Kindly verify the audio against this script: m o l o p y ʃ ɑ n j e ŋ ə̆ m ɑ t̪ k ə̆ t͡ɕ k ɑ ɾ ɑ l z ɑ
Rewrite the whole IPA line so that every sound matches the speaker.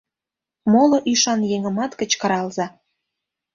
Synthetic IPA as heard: m o l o ʔ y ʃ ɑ n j e ŋ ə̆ m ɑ t̪ k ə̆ t͡ɕ k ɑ ɾ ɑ l z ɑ

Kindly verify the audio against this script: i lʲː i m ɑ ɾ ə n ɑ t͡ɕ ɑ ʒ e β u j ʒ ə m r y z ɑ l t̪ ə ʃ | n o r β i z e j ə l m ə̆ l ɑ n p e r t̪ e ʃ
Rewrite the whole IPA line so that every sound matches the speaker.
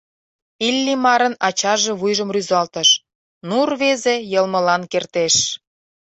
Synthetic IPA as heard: i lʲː i m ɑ ɾ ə n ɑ t͡ɕ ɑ ʒ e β u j ʒ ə m r y z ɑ l t̪ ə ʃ | n u r β e z e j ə l m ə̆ l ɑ n k e r t̪ e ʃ

